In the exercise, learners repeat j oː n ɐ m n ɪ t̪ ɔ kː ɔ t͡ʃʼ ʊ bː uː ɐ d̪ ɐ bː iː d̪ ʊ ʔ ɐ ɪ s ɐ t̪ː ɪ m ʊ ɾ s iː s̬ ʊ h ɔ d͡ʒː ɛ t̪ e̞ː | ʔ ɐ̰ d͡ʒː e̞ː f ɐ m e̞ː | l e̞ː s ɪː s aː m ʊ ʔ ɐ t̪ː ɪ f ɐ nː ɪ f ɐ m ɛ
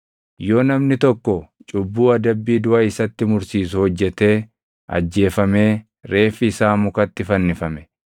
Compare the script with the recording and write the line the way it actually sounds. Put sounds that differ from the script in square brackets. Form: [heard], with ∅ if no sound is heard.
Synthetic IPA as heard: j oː n ɐ m n ɪ t̪ ɔ kː ɔ t͡ʃʼ ʊ bː uː ɐ d̪ ɐ bː iː d̪ ʊ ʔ ɐ ɪ s ɐ t̪ː ɪ m ʊ ɾ s iː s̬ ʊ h ɔ d͡ʒː ɛ t̪ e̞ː | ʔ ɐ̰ d͡ʒː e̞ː f ɐ m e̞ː | [ɾ] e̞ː [f] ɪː s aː m ʊ [k] ɐ t̪ː ɪ f ɐ nː ɪ f ɐ m ɛ